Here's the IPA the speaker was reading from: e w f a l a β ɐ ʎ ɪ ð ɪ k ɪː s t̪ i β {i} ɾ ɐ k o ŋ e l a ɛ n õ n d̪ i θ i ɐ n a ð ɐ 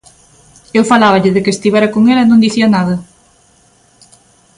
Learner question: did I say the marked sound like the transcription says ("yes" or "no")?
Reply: no